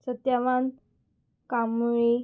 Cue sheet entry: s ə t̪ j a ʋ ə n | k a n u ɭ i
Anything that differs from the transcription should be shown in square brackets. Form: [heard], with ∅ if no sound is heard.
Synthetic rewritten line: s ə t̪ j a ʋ [a] n | k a [m] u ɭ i